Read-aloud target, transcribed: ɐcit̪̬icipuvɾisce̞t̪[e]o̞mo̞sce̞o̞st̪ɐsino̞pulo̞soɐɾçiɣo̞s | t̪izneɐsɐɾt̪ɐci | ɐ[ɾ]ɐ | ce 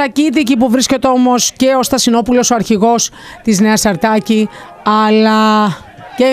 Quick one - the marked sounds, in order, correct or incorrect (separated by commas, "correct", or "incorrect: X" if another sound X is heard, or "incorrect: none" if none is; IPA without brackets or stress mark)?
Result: correct, incorrect: l